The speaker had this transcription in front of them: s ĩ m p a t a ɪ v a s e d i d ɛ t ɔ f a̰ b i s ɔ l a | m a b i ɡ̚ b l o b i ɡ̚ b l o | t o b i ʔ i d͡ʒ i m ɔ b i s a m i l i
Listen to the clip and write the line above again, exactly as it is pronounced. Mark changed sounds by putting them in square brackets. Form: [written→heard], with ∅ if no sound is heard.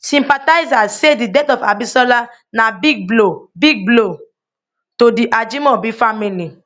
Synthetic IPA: s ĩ m p a t a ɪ [v→z] a s e d i d ɛ t ɔ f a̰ b i s ɔ l a | [m→n] a b i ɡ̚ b l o b i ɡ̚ b l o | t o [b→d] i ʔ [i→a] d͡ʒ i m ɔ b i [s→f] a m i l i